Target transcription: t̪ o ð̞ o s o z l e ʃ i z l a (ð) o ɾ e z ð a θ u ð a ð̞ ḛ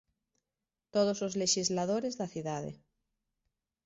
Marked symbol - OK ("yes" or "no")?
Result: yes